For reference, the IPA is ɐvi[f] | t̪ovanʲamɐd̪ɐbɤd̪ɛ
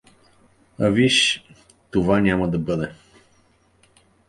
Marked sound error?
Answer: yes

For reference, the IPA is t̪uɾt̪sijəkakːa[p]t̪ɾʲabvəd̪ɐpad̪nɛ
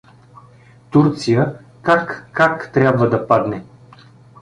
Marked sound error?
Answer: yes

